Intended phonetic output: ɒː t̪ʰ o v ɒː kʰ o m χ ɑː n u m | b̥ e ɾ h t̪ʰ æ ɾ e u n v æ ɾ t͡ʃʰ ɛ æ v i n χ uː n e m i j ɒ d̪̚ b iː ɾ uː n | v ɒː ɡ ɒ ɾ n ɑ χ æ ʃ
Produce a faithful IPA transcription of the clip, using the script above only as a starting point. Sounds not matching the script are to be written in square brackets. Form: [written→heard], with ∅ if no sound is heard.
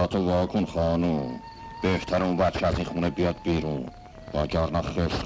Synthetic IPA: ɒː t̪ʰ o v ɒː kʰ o [m→n] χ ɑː n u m | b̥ e [ɾ→∅] h t̪ʰ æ ɾ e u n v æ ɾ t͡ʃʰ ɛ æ [v→z] i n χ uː n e [m→b] i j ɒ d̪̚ b iː ɾ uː n | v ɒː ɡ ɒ ɾ n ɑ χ [æ→e] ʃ